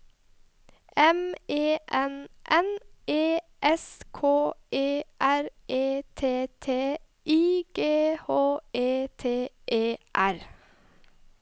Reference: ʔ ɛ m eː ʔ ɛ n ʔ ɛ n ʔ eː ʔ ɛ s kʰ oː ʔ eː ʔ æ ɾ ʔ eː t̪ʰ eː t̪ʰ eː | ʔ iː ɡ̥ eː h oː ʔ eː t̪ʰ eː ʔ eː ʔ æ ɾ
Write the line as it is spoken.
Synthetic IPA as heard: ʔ ɛ m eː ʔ ɛ n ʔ ɛ n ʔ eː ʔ ɛ s kʰ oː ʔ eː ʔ æ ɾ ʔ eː t̪ʰ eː t̪ʰ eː | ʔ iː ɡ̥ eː h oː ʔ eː t̪ʰ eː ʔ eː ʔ æ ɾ